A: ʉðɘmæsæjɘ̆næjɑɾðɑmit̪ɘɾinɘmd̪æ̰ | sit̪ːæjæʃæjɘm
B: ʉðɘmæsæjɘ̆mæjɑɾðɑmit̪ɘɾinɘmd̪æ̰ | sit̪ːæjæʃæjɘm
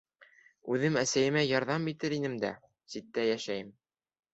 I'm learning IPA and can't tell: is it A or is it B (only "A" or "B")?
B